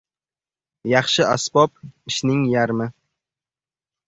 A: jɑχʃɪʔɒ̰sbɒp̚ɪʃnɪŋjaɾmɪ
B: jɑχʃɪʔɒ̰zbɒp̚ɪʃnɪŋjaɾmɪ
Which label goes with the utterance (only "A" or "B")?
A